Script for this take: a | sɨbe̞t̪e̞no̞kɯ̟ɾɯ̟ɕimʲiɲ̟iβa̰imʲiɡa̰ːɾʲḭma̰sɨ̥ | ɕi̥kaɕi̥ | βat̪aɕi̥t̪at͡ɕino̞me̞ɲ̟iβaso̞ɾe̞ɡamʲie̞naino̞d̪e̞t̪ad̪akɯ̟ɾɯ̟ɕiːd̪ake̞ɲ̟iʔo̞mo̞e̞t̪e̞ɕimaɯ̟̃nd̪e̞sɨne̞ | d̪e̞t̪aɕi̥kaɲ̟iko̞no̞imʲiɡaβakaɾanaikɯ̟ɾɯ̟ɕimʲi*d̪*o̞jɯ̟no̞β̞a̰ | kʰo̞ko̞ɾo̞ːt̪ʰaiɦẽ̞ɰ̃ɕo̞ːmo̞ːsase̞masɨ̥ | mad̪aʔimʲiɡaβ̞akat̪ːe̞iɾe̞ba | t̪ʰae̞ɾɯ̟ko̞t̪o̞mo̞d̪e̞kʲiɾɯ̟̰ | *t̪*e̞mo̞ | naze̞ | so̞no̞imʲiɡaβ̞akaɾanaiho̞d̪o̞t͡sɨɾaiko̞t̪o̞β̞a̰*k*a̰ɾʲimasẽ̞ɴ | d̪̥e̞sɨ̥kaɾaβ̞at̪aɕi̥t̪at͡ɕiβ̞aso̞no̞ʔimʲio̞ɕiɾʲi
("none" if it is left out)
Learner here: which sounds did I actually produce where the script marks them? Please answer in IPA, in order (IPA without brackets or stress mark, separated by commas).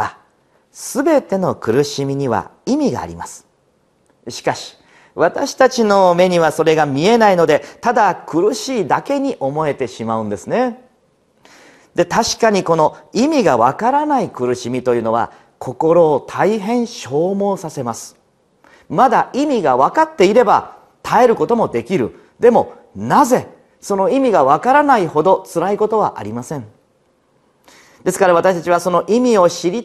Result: t̪, d̪, ʔ